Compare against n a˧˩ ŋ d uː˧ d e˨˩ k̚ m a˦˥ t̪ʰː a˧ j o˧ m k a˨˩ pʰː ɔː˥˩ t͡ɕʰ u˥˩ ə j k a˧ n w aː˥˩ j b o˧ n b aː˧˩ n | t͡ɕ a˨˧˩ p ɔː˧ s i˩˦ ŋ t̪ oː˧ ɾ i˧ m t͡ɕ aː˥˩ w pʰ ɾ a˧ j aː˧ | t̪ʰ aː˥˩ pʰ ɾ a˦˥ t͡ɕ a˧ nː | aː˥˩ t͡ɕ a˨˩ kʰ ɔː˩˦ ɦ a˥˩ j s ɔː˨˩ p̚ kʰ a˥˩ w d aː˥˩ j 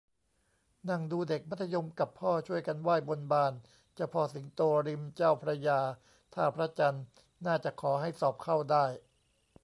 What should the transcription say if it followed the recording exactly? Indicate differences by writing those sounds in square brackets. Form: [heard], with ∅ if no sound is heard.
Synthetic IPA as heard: n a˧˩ ŋ d uː˧ d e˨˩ k̚ m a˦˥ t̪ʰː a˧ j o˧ m k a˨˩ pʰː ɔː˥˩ t͡ɕʰ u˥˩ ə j k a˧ n w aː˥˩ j b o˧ n b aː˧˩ n | t͡ɕ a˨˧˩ [pʰ] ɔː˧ s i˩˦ ŋ t̪ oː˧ ɾ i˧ m t͡ɕ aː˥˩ w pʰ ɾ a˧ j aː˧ | t̪ʰ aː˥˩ pʰ ɾ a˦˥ t͡ɕ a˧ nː | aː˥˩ t͡ɕ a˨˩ kʰ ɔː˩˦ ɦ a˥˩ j s ɔː˨˩ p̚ kʰ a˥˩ w d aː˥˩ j